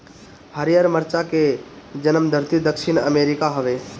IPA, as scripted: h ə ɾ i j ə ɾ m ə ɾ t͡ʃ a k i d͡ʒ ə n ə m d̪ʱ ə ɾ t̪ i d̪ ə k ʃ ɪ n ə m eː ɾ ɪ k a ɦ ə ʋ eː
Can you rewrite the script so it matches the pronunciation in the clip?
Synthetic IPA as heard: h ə ɾ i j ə ɾ m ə ɾ t͡ʃ a k e d͡ʒ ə n ə m d̪ʱ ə ɾ t̪ i d̪ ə k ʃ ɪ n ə m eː ɾ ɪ k a ɦ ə ʋ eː